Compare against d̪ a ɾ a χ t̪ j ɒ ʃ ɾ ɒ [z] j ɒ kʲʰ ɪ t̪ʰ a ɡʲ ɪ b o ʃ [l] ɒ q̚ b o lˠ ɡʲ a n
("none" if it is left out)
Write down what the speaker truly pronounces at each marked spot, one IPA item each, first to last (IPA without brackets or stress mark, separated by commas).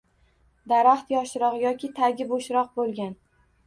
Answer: ʁ, ɾ